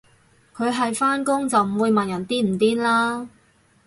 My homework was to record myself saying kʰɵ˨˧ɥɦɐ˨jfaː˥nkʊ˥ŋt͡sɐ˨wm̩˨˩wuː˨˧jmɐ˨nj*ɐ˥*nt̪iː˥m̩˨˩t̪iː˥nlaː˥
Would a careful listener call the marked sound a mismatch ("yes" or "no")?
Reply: yes